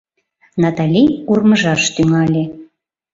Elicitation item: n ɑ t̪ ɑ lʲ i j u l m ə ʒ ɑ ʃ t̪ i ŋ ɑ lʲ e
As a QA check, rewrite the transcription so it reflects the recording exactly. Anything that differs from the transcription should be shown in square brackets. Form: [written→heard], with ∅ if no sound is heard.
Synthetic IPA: n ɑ t̪ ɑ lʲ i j u [l→r] m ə ʒ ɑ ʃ t̪ [i→y] ŋ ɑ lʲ e